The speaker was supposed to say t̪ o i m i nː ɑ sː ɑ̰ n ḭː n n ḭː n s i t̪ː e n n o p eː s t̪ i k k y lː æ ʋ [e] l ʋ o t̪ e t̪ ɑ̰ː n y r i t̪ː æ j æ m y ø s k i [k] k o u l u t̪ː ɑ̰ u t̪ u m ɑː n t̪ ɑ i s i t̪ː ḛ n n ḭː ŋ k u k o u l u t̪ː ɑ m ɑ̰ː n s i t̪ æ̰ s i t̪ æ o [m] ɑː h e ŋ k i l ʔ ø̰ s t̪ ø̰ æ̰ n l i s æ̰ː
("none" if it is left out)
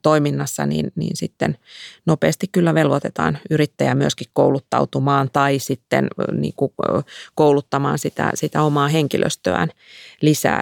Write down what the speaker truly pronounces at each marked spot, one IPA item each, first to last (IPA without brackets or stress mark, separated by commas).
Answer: e, k, m